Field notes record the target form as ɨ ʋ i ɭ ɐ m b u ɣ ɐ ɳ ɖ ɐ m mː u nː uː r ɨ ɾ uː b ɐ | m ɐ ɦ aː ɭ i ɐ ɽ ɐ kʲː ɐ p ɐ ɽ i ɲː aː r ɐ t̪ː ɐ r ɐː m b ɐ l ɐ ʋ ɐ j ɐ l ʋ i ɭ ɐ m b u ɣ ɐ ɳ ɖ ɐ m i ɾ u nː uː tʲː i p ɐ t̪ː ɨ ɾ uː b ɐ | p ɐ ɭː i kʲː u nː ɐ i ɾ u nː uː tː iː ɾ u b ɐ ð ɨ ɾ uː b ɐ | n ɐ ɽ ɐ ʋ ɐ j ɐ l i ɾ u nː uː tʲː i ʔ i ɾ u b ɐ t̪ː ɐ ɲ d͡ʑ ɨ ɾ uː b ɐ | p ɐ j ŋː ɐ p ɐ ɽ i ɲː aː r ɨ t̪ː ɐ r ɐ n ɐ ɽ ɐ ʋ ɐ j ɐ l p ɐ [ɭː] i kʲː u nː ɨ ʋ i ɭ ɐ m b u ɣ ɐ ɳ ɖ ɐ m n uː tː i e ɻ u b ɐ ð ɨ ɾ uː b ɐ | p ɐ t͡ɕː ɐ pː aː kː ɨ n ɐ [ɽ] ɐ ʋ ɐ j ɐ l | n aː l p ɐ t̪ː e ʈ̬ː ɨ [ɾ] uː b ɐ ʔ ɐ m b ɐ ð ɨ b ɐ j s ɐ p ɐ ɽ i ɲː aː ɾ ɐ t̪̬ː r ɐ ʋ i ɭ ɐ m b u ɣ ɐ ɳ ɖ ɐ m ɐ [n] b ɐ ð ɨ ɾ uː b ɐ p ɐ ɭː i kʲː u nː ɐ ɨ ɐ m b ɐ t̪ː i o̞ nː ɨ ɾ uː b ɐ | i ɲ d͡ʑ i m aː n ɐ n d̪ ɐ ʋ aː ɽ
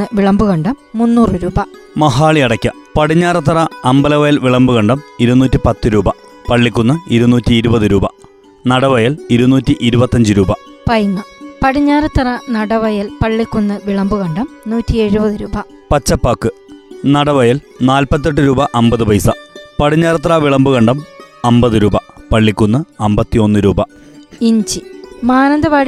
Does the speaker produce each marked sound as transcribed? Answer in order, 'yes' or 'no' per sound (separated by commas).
yes, yes, yes, no